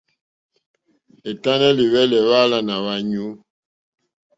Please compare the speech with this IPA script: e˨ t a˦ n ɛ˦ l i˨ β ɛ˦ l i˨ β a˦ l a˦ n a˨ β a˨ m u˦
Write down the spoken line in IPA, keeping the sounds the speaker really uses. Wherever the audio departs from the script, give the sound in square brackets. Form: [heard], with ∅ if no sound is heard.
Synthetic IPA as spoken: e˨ t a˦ n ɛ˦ l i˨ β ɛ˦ l [ɛ˨] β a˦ l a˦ n a˨ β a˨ [ɲ] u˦

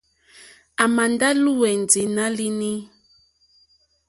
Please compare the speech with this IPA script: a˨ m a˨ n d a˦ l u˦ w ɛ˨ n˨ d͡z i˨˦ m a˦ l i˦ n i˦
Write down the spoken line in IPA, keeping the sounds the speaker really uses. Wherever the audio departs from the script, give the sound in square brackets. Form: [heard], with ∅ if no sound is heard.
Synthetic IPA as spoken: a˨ m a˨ n d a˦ l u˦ w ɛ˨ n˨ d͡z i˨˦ [n] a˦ l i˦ n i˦

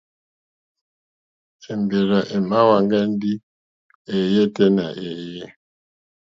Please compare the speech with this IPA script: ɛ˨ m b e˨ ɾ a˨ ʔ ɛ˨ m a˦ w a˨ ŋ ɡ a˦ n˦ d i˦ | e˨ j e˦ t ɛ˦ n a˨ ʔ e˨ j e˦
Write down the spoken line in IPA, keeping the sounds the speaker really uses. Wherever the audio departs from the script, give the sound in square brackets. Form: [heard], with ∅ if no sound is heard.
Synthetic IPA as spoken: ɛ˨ m b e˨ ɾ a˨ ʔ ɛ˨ m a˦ w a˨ ŋ ɡ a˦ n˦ d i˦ | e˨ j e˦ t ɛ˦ n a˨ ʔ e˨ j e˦

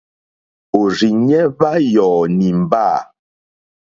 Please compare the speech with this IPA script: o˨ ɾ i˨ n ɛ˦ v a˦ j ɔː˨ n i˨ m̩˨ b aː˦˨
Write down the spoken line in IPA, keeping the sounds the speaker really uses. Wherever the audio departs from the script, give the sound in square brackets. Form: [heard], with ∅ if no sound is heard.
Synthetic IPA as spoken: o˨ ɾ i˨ [ɲ] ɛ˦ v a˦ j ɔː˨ n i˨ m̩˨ b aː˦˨

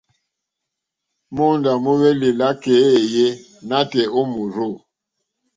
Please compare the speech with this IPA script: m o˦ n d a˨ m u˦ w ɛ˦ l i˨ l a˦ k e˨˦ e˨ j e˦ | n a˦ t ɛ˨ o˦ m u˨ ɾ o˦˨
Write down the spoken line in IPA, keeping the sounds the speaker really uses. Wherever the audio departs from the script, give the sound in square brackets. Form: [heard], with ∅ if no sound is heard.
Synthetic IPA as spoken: m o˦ n d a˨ m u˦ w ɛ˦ l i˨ l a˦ k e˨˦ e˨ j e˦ | n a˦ t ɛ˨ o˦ m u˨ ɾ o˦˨

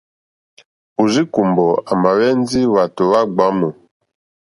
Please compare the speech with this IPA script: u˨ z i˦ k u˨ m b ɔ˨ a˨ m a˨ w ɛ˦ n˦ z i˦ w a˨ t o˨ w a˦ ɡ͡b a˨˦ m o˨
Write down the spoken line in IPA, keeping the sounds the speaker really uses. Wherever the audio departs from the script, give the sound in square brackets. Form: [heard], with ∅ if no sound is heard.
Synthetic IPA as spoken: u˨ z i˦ k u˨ m b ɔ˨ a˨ m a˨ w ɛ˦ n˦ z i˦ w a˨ t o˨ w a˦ ɡ͡b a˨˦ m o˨

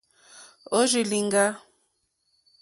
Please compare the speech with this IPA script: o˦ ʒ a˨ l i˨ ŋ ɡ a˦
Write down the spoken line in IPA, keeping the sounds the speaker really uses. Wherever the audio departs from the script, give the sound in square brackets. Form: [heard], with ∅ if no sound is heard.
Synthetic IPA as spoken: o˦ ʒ [i˨] l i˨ ŋ ɡ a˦

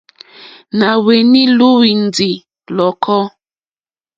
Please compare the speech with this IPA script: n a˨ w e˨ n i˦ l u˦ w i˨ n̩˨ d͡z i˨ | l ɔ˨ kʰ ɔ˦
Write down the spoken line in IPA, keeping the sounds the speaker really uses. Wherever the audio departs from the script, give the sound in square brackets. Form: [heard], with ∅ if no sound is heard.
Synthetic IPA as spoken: n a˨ w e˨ n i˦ l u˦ w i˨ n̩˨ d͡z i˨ | l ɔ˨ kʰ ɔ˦

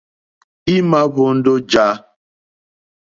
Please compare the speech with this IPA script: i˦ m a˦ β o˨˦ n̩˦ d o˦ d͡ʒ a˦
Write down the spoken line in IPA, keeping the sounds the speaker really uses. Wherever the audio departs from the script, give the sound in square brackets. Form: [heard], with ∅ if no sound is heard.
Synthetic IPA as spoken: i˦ m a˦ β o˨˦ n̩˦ d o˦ d͡ʒ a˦

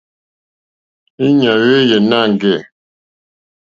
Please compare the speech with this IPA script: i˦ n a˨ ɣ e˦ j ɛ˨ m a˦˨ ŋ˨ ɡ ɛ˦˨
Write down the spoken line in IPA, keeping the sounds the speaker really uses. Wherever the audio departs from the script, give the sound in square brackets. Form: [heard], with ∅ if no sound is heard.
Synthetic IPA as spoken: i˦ [ɲ] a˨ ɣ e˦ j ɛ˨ [n] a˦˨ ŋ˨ ɡ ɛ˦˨

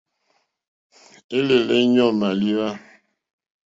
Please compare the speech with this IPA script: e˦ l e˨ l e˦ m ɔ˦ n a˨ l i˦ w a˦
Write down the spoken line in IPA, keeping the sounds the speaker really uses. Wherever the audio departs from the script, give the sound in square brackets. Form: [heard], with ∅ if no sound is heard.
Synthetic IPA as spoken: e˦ l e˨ l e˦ [ɲ] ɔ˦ [m] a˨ l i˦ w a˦

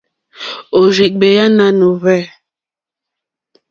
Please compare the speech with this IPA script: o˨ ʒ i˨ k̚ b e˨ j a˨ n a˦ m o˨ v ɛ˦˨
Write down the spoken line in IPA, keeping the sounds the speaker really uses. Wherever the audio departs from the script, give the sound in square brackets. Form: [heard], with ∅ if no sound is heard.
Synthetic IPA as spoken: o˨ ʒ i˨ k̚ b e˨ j [a˦] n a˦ [n] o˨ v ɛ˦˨

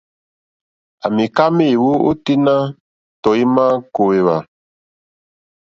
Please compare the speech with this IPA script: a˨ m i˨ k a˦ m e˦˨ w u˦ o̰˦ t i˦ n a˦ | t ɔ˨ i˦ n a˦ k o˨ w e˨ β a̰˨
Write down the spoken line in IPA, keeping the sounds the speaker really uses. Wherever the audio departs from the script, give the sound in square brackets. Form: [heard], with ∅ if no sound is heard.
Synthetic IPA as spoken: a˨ m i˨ k a˦ m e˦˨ w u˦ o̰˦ t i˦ n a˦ | t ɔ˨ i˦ [m] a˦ k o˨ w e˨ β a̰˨

